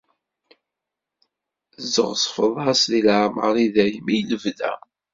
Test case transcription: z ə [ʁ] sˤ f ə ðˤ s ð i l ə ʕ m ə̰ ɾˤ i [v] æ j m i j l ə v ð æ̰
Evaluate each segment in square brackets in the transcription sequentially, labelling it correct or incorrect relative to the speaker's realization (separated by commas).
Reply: correct, incorrect